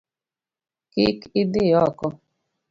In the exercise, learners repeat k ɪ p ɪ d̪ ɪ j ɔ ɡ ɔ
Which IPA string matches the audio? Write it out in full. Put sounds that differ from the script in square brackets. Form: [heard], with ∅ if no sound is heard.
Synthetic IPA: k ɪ [k] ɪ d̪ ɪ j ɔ [k] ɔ